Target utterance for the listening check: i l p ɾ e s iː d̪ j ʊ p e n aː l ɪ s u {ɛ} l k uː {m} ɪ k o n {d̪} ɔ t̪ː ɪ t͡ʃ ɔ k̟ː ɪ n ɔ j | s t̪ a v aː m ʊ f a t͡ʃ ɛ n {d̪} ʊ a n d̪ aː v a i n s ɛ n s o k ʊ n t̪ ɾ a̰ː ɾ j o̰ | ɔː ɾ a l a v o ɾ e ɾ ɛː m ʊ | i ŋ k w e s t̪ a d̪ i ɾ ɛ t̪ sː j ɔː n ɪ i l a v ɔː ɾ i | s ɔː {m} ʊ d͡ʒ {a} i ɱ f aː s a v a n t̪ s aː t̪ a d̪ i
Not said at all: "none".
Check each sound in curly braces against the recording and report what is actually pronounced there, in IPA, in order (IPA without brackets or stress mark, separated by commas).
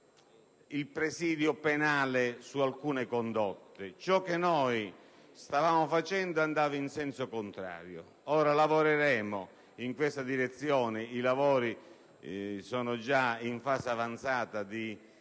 a, n, d̪, d̪, n, a